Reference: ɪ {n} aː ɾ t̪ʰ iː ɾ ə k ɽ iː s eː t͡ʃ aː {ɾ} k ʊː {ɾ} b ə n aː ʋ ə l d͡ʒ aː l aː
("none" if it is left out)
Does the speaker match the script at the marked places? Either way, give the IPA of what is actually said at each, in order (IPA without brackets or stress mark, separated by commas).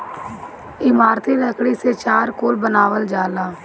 m, ɾ, l